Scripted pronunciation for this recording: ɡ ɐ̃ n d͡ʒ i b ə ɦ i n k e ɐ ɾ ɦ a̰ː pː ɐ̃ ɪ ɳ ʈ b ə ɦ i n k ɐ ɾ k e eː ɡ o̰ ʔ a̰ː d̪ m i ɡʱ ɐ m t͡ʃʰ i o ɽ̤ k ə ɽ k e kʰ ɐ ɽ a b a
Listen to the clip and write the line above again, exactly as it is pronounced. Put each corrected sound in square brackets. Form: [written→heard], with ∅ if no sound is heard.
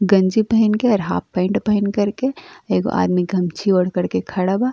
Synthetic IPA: ɡ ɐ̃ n d͡ʒ i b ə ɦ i n k e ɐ ɾ ɦ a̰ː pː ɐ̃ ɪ ɳ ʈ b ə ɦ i n k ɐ ɾ k e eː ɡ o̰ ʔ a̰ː d̪ m i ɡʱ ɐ m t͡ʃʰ i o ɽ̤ k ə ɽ k e kʰ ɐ ɽ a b a